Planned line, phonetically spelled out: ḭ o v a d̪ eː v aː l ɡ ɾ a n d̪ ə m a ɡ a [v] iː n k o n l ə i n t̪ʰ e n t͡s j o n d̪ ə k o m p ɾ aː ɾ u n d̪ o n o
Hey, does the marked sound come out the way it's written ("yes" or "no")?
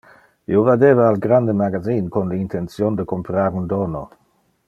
no